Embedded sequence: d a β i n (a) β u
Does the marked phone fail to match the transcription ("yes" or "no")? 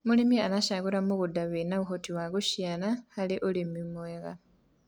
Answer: no